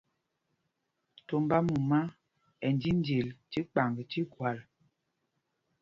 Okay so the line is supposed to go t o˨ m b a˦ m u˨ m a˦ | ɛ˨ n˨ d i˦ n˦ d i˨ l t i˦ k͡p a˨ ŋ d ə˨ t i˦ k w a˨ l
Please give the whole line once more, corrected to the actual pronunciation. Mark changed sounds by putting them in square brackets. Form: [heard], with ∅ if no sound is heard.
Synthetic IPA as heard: t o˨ m b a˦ m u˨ m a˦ | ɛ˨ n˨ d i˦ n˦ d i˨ l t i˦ k͡p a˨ ŋ [ɡ] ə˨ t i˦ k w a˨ l